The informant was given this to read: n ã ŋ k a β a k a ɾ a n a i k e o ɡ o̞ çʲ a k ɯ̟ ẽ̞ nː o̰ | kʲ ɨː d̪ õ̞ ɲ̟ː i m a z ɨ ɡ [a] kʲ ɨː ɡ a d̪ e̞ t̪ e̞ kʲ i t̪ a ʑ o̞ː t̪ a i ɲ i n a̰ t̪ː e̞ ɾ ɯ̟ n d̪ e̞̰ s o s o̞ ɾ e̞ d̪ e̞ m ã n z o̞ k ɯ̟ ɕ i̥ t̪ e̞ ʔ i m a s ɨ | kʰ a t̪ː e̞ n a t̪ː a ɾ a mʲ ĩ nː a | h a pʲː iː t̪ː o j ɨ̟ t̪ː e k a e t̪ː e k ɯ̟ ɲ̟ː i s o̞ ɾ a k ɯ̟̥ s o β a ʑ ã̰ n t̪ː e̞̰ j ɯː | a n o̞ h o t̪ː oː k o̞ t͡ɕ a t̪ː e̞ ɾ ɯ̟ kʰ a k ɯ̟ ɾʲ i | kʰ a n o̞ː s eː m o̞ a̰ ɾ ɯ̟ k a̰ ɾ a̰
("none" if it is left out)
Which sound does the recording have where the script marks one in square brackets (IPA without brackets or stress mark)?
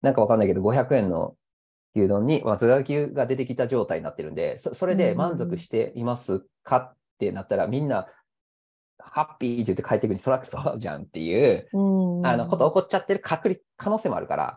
a